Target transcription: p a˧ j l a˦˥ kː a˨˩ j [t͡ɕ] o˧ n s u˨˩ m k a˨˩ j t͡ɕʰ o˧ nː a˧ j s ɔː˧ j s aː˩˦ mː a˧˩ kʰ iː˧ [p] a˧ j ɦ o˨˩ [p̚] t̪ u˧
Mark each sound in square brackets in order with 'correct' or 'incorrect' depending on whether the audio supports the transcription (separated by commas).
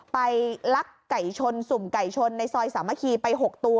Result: incorrect, correct, incorrect